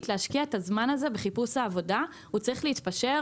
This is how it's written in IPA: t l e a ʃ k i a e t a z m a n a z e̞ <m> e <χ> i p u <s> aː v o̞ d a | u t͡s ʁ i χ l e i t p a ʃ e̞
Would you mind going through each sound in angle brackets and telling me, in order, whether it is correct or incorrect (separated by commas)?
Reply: incorrect, correct, correct